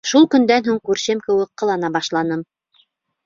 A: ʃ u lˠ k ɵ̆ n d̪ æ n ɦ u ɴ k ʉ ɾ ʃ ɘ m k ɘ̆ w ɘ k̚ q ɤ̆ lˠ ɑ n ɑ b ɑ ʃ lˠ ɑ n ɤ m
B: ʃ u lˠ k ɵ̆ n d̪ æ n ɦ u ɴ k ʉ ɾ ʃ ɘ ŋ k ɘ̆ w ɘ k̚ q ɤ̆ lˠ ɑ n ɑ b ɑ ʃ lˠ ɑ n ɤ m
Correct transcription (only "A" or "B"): A